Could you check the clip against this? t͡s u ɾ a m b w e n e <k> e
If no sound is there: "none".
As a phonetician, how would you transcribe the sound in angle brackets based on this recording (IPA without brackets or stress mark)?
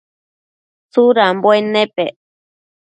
p